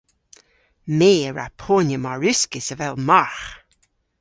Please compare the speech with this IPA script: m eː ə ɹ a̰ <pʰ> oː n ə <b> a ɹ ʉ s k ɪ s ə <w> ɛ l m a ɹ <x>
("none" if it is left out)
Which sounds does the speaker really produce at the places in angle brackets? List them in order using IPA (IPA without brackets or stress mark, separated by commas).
pʰ, m, v, x